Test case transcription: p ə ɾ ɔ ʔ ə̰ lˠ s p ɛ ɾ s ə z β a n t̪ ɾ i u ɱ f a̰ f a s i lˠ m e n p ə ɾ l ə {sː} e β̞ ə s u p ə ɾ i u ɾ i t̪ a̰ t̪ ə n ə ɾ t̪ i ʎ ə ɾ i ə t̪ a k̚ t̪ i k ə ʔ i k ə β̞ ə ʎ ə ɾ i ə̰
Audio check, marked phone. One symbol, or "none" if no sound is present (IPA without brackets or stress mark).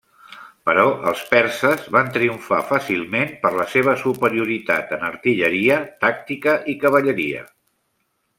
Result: s